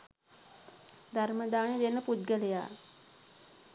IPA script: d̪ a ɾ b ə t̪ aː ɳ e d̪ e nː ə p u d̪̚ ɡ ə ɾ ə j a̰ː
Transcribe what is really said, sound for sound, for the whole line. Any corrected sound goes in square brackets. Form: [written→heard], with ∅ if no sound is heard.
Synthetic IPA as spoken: d̪ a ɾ [b→m] ə [t̪→d̪] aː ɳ e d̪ e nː ə p u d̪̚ ɡ ə [ɾ→l] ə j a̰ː